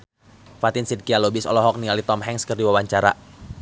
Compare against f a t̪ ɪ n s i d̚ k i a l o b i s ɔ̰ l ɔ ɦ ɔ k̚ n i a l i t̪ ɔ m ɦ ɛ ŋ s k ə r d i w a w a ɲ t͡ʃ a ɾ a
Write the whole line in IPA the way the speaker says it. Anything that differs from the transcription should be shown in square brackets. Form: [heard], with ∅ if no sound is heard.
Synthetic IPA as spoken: f a t̪ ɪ n s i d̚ k i a l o b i s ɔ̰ l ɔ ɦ ɔ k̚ n i a l i t̪ ɔ m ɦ ɛ ŋ s k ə r d i w a w a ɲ t͡ʃ a ɾ a

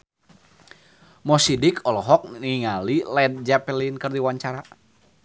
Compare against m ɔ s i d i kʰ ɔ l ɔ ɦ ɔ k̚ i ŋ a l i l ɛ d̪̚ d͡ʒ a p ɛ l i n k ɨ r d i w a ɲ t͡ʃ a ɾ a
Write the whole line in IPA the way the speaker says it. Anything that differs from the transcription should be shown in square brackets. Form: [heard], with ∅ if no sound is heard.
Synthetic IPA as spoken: m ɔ s i d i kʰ ɔ l ɔ ɦ ɔ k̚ i ŋ a l i l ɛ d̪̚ d͡ʒ a p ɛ l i n k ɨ r d i w a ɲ t͡ʃ a ɾ a

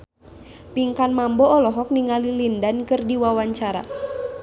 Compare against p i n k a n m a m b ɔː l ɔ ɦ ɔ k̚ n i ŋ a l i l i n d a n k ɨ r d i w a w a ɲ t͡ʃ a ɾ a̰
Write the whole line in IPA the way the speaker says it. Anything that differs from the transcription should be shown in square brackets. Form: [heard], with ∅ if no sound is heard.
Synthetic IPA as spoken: p i [ŋ] k a n m a m b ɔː l ɔ ɦ ɔ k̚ n i ŋ a l i l i n d a n k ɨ r d i w a w a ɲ t͡ʃ a ɾ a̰

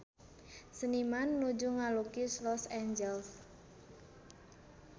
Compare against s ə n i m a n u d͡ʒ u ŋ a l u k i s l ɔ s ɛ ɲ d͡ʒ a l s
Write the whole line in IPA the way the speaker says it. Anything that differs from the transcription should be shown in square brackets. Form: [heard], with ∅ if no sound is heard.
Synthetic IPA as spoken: s ə n i m a [nː] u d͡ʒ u ŋ a l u k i s l ɔ s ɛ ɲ d͡ʒ [ɛ] l s

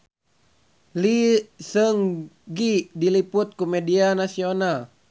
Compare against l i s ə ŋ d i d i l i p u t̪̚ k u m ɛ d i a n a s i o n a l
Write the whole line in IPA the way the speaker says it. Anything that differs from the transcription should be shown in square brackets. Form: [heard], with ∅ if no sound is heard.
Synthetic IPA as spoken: l i s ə ŋ [ɡ] i d i l i p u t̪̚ k u m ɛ d i a n a s i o n a l

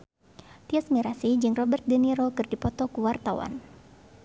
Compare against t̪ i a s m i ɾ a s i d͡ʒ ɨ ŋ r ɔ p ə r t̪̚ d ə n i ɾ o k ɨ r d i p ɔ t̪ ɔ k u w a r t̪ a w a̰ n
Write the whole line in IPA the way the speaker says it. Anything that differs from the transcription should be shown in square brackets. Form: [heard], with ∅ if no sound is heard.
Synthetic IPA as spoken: t̪ i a s m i ɾ a s i d͡ʒ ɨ ŋ r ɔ [b] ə r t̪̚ d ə n i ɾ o k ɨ r d i p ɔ t̪ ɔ k u w a r t̪ a w a̰ n

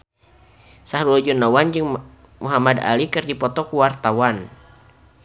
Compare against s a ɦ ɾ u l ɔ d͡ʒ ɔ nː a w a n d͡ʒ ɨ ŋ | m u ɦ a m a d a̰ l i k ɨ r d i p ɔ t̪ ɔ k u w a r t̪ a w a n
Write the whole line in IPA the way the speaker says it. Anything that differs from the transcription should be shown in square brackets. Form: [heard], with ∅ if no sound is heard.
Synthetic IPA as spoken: s a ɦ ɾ u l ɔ d͡ʒ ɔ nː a w a n d͡ʒ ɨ ŋ | m u ɦ a m a d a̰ l i k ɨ r d i p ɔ t̪ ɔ k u w a r t̪ a w a n

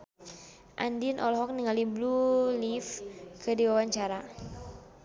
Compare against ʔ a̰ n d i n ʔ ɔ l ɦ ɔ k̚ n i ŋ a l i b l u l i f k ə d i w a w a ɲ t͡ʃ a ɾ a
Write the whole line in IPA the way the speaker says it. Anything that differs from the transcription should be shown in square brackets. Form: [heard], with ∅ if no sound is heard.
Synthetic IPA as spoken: ʔ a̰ n d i n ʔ ɔ l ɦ ɔ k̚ n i ŋ a l i b l u l i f k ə d i w a w a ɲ t͡ʃ a ɾ a

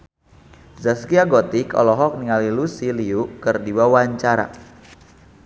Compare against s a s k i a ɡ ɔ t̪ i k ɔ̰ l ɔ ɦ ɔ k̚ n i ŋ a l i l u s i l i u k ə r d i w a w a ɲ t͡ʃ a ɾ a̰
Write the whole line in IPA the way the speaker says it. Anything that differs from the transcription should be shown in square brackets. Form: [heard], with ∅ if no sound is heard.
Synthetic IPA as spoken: [z] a s k i a ɡ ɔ t̪ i k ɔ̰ l ɔ ɦ ɔ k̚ n i ŋ a l i l u s i l i u k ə r d i w a w a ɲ t͡ʃ a ɾ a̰

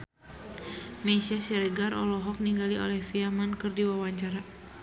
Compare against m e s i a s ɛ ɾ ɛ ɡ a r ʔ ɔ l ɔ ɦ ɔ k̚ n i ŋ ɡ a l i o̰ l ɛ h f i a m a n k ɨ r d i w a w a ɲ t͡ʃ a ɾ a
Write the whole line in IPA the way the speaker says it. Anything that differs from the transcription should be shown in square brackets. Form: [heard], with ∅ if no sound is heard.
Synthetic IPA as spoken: m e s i a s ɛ ɾ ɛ ɡ a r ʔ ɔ l ɔ ɦ ɔ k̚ n i ŋ ɡ a l i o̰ l ɛ h f i a m a n k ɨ r d i w a w a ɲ t͡ʃ a ɾ a

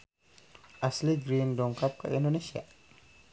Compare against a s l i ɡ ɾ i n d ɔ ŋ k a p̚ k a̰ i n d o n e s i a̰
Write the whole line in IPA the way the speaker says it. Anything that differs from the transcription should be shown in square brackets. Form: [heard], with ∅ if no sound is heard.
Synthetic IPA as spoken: a s l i ɡ ɾ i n d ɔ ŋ k a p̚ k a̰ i n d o n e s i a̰

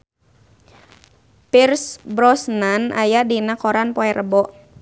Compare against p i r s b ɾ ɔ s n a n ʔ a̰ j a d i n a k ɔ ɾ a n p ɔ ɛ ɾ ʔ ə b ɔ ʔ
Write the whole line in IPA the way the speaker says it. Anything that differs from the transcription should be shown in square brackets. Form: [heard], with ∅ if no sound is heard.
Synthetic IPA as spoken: p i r s b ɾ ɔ s n a n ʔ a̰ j a d i n a k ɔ ɾ a n p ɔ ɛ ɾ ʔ ə b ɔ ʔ

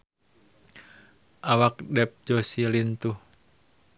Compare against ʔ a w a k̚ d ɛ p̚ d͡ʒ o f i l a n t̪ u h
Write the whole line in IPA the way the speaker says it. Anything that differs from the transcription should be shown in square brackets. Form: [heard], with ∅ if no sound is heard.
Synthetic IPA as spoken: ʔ a w a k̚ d ɛ p̚ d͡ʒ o [s] i l [i] n t̪ u h

